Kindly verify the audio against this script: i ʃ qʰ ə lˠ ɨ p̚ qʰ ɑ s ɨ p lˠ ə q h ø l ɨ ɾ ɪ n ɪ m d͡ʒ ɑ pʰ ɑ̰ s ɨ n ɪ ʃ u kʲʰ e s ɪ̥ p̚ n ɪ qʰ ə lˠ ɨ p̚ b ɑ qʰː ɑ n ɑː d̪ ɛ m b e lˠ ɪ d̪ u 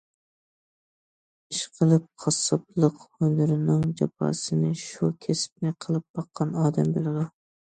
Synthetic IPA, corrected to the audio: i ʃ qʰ ə lˠ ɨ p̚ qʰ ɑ s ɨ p lˠ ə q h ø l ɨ ɾ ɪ n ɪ ŋ d͡ʒ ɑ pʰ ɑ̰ s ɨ n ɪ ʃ u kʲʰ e s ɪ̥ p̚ n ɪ qʰ ə lˠ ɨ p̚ b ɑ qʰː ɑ n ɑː d̪ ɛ m b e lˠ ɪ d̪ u